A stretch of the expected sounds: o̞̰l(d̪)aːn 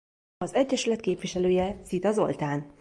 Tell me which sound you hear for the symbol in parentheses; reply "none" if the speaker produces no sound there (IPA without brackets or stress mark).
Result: t̪